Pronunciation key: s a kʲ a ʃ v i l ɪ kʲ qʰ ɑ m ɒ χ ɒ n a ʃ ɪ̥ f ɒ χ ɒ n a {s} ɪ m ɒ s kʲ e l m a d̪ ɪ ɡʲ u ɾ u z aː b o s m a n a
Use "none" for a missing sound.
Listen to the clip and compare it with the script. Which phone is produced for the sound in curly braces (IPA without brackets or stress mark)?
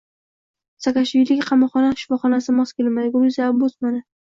s